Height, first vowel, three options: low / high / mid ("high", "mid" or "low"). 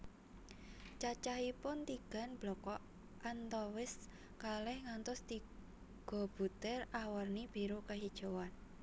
low